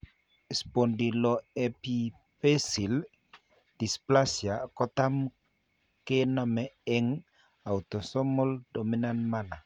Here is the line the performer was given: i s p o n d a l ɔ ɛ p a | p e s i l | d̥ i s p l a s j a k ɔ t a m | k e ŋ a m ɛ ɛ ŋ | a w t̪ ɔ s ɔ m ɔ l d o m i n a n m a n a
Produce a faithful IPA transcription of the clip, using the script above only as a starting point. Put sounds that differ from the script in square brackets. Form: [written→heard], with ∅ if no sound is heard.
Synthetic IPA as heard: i s p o n d [a→i] l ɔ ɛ p [a→i] | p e s i l | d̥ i s p l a s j a k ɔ t a m | k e [ŋ→n] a m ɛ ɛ ŋ | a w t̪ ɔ s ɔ m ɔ l d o m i n a n m a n a